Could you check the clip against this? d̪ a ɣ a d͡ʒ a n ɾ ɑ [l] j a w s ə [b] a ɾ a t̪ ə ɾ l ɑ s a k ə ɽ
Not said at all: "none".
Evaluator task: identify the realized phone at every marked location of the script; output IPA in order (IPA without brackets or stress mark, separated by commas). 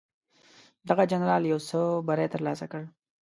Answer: l, b